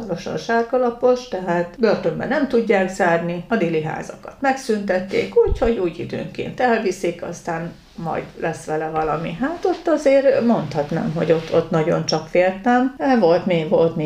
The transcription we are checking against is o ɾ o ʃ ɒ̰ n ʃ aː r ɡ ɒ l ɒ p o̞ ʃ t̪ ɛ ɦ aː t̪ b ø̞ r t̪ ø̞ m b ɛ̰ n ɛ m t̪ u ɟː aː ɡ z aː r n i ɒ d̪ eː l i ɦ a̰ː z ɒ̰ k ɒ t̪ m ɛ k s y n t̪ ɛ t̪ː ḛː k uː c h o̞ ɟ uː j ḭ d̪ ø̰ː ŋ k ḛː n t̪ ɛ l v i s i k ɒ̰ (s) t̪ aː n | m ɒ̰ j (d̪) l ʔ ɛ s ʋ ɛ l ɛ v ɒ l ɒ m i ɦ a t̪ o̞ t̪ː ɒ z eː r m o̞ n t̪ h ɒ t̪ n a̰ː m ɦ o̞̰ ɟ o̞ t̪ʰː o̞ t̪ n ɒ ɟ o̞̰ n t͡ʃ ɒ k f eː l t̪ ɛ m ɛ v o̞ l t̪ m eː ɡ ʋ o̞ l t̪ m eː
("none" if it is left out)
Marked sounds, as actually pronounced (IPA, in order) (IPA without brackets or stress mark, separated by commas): s, d̪